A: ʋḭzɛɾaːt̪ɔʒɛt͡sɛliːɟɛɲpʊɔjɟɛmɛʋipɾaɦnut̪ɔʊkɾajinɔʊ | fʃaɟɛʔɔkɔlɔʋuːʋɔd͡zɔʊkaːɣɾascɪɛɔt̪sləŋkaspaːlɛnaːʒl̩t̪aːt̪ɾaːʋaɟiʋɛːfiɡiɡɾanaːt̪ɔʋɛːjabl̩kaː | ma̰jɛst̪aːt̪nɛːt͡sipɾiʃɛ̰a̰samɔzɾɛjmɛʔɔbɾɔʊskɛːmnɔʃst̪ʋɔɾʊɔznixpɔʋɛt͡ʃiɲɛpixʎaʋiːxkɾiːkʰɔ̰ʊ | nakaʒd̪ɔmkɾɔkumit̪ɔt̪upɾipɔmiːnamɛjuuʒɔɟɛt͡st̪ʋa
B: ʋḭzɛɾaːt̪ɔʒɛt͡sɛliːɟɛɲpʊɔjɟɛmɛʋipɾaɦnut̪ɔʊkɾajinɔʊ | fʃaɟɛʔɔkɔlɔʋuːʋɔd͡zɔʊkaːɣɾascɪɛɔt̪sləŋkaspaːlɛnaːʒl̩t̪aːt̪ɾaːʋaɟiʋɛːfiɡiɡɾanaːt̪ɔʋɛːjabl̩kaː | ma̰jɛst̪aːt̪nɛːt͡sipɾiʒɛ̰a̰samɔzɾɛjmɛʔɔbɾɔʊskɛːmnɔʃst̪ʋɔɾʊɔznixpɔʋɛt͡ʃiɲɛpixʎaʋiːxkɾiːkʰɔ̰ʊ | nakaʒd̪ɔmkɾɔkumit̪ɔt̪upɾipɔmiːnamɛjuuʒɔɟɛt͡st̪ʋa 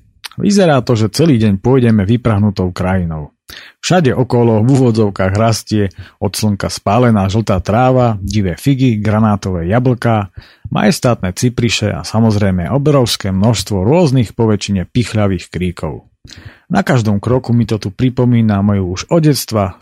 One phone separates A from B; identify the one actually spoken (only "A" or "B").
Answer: A